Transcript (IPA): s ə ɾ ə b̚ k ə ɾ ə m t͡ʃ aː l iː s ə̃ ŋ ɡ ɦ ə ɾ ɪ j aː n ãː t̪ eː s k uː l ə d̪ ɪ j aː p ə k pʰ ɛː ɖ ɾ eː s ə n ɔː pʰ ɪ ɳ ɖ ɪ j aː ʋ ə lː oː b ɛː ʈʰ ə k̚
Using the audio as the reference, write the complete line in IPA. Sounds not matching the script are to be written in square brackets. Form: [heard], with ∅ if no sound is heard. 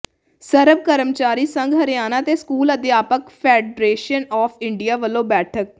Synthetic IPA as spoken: s ə ɾ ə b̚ k ə ɾ ə m t͡ʃ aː [ɾ] iː s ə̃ ŋ ɡ ɦ ə ɾ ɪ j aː n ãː t̪ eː s k uː l ə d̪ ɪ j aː p ə k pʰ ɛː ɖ ɾ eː [ʃ] ə n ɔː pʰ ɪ ɳ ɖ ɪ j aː ʋ ə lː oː b ɛː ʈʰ ə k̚

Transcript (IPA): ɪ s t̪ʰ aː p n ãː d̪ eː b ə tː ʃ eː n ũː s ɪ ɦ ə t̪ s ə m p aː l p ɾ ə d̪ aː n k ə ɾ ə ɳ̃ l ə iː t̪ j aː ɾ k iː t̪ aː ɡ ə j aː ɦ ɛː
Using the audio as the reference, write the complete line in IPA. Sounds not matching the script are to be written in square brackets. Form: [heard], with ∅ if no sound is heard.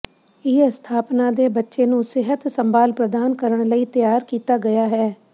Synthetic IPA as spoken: ɪ s t̪ʰ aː p n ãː d̪ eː b ə tː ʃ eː n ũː s ɪ ɦ ə t̪ s ə m [b] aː l p ɾ ə d̪ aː n k ə ɾ ə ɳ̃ l ə iː t̪ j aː ɾ k iː t̪ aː ɡ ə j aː ɦ ɛː

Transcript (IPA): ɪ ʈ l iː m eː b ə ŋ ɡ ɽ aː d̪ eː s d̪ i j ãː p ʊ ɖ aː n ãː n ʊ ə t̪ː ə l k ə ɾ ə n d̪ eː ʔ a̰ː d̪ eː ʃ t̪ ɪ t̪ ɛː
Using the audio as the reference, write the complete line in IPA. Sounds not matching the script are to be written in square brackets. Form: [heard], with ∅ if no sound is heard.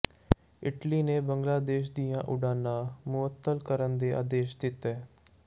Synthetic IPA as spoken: ɪ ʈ l iː [n] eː b ə ŋ ɡ [l] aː d̪ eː [ʃ] d̪ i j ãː [ʔ] ʊ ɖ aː n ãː [m] ʊ ə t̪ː ə l k ə ɾ ə n d̪ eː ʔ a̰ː d̪ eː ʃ [d̪] ɪ t̪ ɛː

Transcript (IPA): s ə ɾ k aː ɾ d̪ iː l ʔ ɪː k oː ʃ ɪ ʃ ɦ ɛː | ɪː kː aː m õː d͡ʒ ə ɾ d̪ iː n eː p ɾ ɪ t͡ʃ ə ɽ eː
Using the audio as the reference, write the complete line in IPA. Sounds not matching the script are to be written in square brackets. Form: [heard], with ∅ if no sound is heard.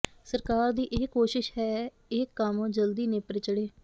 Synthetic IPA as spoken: s ə ɾ k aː ɾ d̪ iː [∅] ʔ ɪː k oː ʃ ɪ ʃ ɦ ɛː | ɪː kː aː m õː d͡ʒ ə [l] d̪ iː n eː p ɾ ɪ t͡ʃ ə ɽ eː

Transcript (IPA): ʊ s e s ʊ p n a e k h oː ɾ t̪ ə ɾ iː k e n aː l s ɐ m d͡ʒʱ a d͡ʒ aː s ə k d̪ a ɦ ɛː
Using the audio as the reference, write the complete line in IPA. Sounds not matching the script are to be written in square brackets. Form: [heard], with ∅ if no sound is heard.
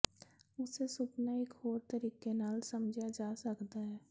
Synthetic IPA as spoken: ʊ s e s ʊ p n a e k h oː ɾ t̪ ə ɾ iː k e n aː l s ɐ m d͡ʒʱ a d͡ʒ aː s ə k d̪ a ɦ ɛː

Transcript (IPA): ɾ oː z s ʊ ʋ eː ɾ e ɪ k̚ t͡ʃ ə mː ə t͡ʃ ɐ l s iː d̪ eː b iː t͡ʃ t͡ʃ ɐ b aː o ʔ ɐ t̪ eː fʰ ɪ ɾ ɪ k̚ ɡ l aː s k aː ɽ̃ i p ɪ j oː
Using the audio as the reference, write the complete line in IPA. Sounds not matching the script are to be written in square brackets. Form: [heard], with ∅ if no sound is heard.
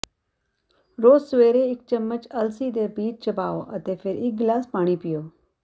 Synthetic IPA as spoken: ɾ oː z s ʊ ʋ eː ɾ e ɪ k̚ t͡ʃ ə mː ə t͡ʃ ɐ l s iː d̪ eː b iː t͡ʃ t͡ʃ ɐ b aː o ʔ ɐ t̪ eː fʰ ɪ ɾ ɪ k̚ ɡ l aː s [p] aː ɽ̃ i p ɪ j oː

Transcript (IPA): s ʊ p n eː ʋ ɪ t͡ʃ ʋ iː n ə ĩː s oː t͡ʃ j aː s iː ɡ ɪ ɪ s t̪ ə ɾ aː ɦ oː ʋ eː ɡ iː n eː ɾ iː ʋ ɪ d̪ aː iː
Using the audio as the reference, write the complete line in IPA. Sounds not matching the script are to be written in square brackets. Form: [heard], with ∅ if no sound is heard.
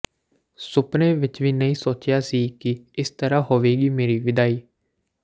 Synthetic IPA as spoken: s ʊ p n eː ʋ ɪ t͡ʃ ʋ iː n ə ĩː s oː t͡ʃ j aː s iː [k] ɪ ɪ s t̪ ə ɾ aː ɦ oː ʋ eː ɡ iː [m] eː ɾ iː ʋ ɪ d̪ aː iː

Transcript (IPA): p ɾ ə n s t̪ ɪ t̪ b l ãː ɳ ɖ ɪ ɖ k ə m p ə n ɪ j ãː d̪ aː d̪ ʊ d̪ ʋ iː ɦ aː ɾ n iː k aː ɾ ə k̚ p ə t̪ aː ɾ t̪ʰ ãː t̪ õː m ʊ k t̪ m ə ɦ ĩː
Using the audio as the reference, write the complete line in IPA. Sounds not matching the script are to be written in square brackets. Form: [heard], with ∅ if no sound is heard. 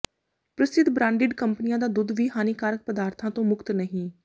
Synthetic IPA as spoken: p ɾ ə [∅] s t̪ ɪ t̪ b [ɾ] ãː ɳ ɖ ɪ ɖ k ə m p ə n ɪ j ãː d̪ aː d̪ ʊ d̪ ʋ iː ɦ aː [∅] n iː k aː ɾ ə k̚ p ə [d̪] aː ɾ t̪ʰ ãː t̪ õː m ʊ k t̪ [n] ə ɦ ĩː

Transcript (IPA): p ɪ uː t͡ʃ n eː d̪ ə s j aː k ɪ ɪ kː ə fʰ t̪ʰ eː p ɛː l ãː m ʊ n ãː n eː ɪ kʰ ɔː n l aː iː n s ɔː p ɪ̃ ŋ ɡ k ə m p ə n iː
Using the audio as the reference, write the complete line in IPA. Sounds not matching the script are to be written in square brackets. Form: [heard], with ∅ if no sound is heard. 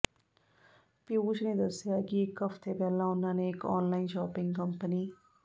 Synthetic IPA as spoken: p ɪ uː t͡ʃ n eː d̪ ə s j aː k ɪ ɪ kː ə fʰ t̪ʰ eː p ɛː l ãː [∅] ʊ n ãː n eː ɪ [k] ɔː n l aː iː n [ʃ] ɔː p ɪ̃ ŋ ɡ k ə m p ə n iː

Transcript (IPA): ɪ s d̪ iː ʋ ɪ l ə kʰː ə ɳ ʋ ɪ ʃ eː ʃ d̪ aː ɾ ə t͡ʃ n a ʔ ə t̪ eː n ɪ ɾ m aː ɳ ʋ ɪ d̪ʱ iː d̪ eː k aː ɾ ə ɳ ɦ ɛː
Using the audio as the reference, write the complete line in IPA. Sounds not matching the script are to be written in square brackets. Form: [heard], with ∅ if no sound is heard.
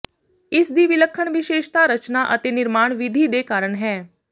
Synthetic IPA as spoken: ɪ s d̪ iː ʋ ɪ l ə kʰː ə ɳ ʋ ɪ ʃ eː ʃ [t̪] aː ɾ ə t͡ʃ n a ʔ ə t̪ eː n ɪ ɾ m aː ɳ ʋ ɪ d̪ʱ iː d̪ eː k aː ɾ ə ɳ ɦ ɛː

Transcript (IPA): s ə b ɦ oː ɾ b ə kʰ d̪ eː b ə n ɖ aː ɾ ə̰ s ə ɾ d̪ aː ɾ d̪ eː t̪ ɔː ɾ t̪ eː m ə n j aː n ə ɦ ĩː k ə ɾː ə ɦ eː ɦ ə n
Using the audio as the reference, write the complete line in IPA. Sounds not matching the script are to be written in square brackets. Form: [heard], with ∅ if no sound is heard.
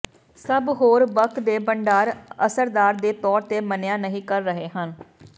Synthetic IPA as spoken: s ə b ɦ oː ɾ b ə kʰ d̪ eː b ə [ɳ] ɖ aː ɾ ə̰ s ə ɾ d̪ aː ɾ d̪ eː t̪ ɔː ɾ t̪ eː m ə n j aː n ə ɦ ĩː k ə ɾː ə ɦ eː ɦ ə n

